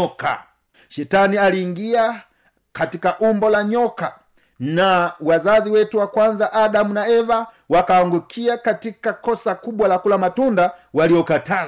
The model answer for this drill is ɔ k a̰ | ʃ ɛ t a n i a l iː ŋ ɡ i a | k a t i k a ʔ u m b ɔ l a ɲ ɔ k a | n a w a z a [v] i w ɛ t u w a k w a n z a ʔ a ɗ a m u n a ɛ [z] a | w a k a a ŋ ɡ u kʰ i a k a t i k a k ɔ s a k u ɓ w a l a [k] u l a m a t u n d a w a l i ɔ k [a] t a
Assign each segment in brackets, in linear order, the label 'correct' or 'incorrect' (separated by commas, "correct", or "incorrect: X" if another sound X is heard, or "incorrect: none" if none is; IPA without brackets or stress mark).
incorrect: z, incorrect: v, correct, correct